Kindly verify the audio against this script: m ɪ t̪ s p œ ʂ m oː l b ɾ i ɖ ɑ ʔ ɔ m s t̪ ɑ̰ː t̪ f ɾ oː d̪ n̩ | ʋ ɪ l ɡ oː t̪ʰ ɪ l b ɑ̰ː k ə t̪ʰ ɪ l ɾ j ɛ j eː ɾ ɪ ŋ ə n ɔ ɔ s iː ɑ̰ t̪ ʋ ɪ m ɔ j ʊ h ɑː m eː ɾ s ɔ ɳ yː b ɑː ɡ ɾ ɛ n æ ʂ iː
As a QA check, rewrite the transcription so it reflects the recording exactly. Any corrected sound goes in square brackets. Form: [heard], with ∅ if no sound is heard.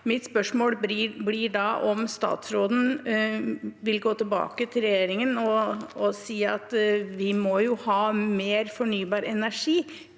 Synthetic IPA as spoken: m ɪ t̪ s p œ ʂ m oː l b [l] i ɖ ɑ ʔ ɔ m s t̪ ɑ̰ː t̪ [s] ɾ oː d̪ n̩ | ʋ ɪ l ɡ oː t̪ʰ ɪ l b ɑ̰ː k ə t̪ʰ ɪ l ɾ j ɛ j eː ɾ ɪ ŋ ə n ɔ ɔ s iː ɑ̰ t̪ ʋ ɪ m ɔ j ʊ h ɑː m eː ɾ [f] ɔ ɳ yː b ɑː [∅] ɾ ɛ n æ ʂ iː